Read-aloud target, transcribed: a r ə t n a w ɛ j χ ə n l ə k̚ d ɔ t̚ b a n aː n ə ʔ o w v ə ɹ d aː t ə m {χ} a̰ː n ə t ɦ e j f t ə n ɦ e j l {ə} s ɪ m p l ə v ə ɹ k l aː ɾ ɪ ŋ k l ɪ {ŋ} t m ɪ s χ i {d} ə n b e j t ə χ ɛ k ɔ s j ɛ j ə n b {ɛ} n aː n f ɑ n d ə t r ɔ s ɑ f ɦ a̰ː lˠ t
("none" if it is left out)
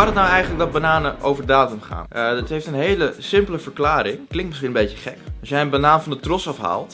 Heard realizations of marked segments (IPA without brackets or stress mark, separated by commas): χ, ə, ŋ, n, a